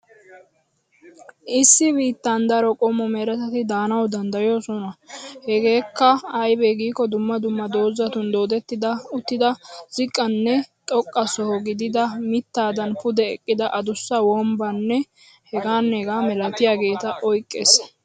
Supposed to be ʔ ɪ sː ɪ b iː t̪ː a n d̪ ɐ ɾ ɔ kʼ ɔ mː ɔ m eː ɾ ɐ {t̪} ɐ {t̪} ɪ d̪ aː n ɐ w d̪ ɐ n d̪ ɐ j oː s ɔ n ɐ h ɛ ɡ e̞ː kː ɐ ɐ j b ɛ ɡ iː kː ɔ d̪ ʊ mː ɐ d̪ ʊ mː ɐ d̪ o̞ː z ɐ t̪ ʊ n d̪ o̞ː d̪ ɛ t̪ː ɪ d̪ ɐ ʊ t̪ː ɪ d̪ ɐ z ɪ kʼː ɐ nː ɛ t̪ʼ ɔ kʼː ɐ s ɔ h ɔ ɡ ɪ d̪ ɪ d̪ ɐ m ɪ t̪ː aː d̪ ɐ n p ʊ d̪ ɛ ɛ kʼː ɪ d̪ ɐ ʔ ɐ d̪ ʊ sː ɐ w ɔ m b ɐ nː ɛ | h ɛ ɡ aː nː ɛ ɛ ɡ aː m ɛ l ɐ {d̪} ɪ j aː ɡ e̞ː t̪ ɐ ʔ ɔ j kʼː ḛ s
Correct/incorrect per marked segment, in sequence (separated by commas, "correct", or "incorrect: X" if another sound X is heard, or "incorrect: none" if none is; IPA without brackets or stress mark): correct, correct, incorrect: t̪